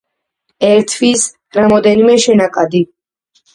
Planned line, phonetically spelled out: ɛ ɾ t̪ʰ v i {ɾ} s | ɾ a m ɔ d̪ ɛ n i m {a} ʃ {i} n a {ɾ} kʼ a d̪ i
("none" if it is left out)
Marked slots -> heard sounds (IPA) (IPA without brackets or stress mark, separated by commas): none, ɛ, ɛ, none